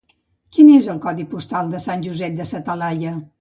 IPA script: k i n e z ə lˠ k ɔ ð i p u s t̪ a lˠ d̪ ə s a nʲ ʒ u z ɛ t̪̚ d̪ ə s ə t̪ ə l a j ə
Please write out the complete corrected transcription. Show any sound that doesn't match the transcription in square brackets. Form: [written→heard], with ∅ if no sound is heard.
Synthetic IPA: k i n e z ə lˠ k ɔ ð i p u s t̪ a lˠ d̪ ə s a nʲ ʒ u z ɛ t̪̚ d̪ ə s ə t̪ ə l a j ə